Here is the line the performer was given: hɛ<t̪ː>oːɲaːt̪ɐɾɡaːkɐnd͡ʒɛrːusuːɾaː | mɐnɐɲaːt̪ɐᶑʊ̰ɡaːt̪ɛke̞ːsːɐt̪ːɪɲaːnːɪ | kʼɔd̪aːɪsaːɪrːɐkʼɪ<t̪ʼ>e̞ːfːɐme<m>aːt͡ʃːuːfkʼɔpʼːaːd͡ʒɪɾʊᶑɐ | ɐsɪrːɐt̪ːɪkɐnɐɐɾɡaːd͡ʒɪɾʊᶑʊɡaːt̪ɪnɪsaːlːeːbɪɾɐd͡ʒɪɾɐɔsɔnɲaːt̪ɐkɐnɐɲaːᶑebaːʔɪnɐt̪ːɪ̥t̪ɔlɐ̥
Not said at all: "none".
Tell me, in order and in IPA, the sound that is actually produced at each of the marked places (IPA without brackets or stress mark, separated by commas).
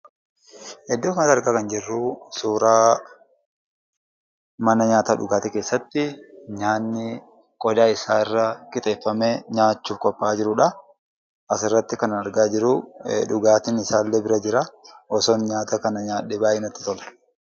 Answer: d̪ː, t̪ʼ, ɲ